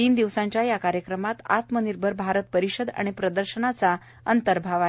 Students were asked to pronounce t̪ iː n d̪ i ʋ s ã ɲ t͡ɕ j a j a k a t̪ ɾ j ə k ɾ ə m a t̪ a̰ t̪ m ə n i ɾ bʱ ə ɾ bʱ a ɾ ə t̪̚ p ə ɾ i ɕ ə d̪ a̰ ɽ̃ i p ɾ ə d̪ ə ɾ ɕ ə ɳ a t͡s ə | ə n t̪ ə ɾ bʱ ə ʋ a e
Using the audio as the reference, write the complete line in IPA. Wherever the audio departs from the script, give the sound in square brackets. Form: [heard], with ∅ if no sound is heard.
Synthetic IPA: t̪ iː n d̪ i ʋ s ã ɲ t͡ɕ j a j a k a [∅] ɾ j ə k ɾ ə m a t̪ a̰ t̪ m ə n i ɾ bʱ ə ɾ bʱ a ɾ ə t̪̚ p ə ɾ i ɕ ə d̪ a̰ ɽ̃ i p ɾ ə d̪ ə ɾ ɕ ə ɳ a t͡s [a] | ə n t̪ ə ɾ bʱ [a] ʋ a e